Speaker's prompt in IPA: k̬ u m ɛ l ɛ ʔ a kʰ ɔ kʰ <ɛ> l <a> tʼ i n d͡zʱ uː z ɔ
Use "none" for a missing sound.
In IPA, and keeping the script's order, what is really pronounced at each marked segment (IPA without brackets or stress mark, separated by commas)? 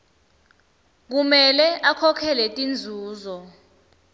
ɛ, ɛ